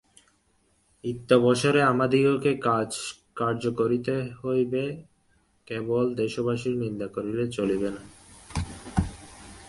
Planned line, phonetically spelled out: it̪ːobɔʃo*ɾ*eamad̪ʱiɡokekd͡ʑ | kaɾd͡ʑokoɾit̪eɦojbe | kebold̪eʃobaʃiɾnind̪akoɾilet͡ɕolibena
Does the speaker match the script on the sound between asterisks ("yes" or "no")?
yes